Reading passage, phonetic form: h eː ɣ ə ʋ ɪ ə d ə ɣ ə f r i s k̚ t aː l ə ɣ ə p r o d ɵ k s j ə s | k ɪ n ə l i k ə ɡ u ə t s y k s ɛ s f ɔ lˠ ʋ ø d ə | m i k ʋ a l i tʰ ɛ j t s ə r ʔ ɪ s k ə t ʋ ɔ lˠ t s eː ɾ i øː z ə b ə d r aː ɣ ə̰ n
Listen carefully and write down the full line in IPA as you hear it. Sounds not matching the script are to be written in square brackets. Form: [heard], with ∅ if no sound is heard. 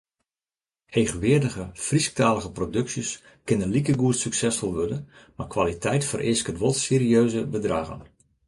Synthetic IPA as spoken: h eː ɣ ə ʋ ɪ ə d ə ɣ ə f r i s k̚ t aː l ə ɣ ə p r o d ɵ k s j ə s | k ɪ n ə l i k ə ɡ u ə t s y k s ɛ s f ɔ lˠ ʋ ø d ə | m [a] k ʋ a l i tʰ ɛ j t [f] ə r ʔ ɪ s k ə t ʋ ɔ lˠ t s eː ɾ i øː z ə b ə d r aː ɣ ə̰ n